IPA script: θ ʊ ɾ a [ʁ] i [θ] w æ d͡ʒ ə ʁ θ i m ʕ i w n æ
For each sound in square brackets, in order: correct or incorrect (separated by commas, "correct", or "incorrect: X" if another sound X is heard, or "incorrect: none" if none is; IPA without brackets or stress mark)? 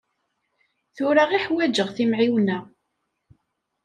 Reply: correct, incorrect: ħ